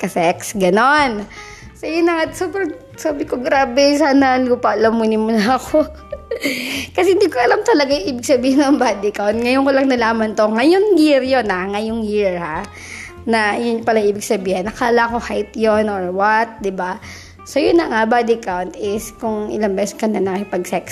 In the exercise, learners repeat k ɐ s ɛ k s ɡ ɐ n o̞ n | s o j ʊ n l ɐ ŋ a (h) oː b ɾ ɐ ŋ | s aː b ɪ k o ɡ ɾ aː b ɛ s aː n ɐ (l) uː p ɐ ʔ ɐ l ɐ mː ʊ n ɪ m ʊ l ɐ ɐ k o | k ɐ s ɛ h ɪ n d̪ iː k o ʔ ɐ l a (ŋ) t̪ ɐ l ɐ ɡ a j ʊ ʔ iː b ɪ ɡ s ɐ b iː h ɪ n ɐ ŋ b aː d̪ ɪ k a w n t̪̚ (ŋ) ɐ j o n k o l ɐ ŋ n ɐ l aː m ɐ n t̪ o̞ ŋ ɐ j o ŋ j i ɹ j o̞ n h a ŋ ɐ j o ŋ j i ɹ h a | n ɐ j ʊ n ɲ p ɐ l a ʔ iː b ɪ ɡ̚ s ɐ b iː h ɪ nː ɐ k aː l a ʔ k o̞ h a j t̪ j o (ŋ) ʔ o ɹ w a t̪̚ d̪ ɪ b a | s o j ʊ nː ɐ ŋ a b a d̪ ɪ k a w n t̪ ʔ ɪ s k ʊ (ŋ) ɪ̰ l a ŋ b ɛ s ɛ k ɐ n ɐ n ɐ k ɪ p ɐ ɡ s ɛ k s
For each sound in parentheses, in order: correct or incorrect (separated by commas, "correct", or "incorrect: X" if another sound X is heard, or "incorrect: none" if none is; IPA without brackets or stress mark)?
incorrect: s, correct, incorrect: m, correct, incorrect: n, correct